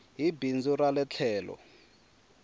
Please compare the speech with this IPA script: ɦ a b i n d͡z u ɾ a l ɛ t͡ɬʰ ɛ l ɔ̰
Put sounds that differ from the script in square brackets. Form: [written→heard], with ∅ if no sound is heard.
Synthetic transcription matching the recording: ɦ [a→i] b i n d͡z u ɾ a l ɛ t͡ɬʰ [ɛ→ɛː] l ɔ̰